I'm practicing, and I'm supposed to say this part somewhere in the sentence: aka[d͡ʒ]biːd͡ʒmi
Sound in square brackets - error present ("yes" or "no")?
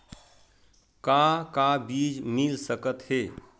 yes